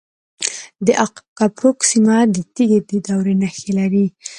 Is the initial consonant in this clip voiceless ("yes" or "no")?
no